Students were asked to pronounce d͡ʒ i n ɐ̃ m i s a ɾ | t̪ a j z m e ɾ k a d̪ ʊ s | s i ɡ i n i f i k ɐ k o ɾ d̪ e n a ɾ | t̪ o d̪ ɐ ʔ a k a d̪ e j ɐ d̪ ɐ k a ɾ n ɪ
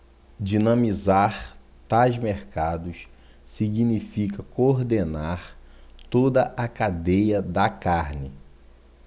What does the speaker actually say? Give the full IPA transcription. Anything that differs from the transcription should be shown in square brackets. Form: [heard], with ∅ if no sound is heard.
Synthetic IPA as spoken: d͡ʒ i n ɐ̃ m i [z] a ɾ | t̪ a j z m e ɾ k a d̪ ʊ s | s i ɡ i n i f i k ɐ k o ɾ d̪ e n a ɾ | t̪ o d̪ ɐ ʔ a k a d̪ e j ɐ d̪ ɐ k a ɾ n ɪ